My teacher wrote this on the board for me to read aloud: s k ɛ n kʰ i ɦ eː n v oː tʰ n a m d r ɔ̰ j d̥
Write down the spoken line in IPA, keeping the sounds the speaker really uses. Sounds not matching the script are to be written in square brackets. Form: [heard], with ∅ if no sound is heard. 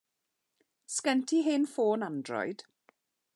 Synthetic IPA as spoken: s k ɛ n [tʰ] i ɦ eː n [f] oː [∅] n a [n] d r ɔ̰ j d̥